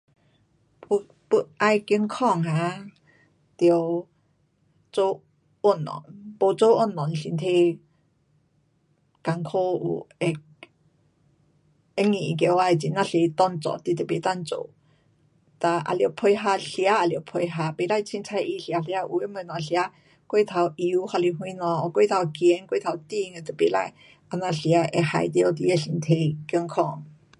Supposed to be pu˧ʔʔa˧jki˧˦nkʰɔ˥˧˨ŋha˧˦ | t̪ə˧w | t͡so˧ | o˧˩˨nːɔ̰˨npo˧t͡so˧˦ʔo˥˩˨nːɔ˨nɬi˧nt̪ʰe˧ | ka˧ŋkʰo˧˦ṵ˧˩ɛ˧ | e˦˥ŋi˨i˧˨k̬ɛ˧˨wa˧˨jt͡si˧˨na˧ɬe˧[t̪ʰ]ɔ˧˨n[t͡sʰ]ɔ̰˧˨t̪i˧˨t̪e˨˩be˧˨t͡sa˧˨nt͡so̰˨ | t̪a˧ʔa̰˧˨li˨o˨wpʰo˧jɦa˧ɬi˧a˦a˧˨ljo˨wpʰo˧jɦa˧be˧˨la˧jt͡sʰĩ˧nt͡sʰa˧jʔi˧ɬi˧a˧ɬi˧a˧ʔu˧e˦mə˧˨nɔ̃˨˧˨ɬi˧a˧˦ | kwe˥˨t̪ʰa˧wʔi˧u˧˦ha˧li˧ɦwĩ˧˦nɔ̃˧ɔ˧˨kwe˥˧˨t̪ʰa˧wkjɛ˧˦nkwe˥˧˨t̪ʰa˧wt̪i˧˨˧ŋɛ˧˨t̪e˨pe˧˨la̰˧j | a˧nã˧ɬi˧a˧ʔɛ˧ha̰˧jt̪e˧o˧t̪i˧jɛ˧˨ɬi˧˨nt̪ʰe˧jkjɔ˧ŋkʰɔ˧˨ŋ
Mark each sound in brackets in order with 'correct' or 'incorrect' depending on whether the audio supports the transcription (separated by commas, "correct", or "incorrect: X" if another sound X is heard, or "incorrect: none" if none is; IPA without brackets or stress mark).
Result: incorrect: t̪, incorrect: t͡s